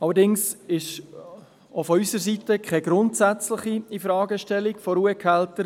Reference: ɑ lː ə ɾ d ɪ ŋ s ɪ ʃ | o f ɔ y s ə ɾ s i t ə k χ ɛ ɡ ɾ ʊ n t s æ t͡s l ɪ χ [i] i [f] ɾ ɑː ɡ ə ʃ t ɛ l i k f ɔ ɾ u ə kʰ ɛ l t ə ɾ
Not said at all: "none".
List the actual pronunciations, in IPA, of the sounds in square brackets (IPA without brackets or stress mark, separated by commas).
i, f